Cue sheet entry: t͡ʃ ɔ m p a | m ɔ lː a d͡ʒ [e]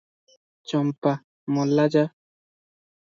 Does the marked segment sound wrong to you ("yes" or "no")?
yes